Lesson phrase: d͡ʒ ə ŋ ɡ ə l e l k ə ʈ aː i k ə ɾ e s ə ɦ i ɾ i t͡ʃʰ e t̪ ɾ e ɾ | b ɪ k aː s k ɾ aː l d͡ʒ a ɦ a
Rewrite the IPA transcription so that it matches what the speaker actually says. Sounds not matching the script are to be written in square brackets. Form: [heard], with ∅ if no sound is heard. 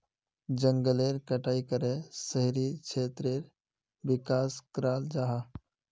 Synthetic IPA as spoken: d͡ʒ ə ŋ ɡ ə l e [ɾ] k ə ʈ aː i k ə ɾ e s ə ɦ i ɾ i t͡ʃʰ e t̪ ɾ e ɾ | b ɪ k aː s k ɾ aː l d͡ʒ a ɦ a